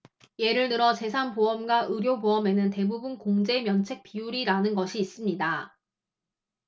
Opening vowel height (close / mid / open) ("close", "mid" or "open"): mid